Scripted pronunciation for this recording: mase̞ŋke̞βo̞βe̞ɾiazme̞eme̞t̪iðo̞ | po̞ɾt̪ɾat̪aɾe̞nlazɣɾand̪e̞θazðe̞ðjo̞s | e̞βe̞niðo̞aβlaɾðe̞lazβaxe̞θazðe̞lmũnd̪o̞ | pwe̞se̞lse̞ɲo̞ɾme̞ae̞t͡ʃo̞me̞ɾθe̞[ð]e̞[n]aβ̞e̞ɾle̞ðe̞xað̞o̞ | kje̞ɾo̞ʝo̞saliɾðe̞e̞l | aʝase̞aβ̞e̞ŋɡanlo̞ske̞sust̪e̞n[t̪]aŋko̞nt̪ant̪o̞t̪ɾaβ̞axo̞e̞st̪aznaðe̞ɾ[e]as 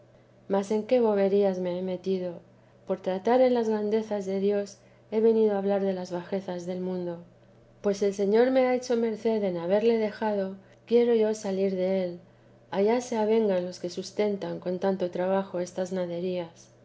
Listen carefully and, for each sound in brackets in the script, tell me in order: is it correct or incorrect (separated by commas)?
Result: correct, correct, correct, incorrect